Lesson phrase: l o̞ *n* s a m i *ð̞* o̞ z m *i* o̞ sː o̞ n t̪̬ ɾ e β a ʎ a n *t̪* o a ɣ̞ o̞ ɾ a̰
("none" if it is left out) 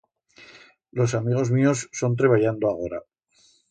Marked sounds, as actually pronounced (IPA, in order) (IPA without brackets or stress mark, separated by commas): none, ɣ̞, i, d̪